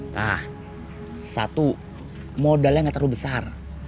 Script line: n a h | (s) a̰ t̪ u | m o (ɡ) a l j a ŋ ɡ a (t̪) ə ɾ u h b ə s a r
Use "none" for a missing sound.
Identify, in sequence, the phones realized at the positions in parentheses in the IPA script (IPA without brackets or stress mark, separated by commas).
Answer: s, d, t̪